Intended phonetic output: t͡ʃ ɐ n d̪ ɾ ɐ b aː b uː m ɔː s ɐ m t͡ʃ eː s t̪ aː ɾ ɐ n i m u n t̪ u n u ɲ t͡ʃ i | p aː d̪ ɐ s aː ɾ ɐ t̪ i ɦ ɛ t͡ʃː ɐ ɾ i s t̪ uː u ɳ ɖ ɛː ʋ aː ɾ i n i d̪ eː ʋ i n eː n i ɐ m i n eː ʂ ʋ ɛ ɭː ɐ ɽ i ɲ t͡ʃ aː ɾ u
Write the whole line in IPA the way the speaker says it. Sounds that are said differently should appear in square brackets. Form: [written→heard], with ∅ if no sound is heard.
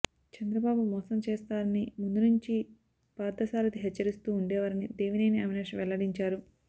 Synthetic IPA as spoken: t͡ʃ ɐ n d̪ ɾ ɐ b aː b [uː→u] m ɔː s ɐ m t͡ʃ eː s t̪ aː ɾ ɐ n i m u n [t̪→d̪] u n u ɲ t͡ʃ i | p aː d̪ ɐ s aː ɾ ɐ t̪ i ɦ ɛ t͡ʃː ɐ ɾ i s t̪ uː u ɳ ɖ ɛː ʋ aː ɾ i n i d̪ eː ʋ i n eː n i ɐ m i n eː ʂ ʋ ɛ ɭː ɐ ɽ i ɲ t͡ʃ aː ɾ u